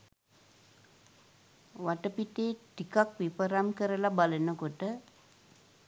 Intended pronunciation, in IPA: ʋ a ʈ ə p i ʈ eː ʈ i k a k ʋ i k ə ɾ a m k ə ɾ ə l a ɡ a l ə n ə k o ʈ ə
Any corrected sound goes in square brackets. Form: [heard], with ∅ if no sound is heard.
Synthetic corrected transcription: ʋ a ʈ ə p i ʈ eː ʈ i k a k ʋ i [p] ə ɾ a m k ə ɾ ə l a [b] a l ə n ə k o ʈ ə